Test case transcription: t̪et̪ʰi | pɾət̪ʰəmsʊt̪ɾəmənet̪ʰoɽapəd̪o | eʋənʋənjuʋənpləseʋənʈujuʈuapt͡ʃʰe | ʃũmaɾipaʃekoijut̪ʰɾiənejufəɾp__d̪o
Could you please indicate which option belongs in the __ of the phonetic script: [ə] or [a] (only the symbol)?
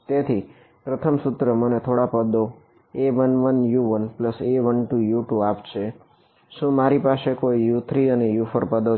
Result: ə